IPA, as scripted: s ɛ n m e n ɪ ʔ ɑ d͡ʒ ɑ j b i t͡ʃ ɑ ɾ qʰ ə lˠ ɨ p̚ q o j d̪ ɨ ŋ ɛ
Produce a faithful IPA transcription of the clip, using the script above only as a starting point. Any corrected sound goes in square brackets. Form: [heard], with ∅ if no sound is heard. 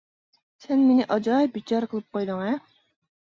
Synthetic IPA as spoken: s ɛ n m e n ɪ ʔ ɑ d͡ʒ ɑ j b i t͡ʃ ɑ ɾ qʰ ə lˠ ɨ p̚ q o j d̪ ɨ ŋ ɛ